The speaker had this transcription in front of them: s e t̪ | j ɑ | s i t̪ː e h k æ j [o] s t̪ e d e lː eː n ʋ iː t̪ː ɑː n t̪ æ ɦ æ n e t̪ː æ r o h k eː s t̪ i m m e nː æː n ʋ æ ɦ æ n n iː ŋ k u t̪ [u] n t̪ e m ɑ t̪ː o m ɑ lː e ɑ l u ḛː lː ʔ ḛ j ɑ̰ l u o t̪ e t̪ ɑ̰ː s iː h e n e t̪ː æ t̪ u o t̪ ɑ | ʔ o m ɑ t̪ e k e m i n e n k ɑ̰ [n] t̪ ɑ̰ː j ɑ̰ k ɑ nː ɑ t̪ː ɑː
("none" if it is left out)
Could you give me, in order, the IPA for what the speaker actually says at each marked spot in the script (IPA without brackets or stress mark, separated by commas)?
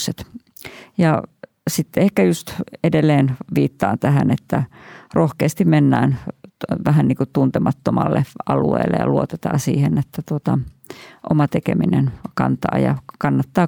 u, u, n